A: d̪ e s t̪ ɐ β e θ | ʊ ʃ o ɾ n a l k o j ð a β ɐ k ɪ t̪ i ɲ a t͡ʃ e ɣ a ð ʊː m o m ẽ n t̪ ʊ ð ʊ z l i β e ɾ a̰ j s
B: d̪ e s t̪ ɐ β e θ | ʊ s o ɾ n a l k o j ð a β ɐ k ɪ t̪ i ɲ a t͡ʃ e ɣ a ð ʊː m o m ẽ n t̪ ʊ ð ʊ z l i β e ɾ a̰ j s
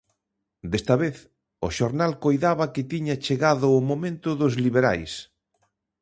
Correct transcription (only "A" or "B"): A